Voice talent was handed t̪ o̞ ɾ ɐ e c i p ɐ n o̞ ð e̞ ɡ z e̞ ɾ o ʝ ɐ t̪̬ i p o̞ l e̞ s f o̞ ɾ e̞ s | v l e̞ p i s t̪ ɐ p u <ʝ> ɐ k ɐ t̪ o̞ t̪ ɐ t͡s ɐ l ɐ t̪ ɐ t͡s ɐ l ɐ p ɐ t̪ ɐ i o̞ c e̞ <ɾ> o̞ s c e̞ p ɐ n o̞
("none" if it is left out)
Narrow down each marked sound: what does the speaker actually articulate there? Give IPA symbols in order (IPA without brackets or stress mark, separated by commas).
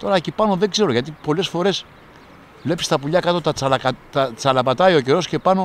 ʎ, ɾ